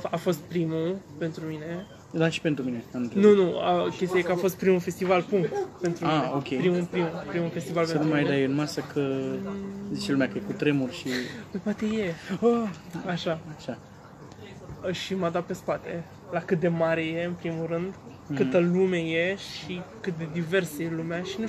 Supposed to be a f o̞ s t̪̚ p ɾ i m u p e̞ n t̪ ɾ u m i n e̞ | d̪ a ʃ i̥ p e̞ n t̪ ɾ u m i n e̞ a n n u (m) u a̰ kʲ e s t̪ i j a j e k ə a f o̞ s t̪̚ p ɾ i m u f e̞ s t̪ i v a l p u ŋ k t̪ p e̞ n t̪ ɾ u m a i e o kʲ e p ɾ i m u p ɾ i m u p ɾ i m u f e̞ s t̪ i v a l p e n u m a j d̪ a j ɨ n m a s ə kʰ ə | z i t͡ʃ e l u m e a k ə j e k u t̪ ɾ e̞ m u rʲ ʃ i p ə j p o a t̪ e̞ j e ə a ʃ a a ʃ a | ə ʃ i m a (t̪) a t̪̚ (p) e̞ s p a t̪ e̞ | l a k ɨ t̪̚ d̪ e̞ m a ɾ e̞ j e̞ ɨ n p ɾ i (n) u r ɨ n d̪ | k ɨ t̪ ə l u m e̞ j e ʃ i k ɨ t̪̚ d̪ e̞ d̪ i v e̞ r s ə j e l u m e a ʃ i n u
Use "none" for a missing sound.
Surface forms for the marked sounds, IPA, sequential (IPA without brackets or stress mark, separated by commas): n, d̪, p, m